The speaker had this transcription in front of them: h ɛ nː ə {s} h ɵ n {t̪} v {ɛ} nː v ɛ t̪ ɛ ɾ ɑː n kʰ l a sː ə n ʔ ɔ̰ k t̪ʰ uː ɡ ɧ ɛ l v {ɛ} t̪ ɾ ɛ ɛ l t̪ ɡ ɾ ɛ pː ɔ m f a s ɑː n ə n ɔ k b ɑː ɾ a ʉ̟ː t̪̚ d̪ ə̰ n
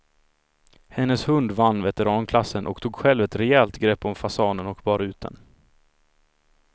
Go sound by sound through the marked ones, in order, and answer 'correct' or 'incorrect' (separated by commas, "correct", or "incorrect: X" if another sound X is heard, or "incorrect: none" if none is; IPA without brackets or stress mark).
correct, incorrect: d̪, incorrect: a, correct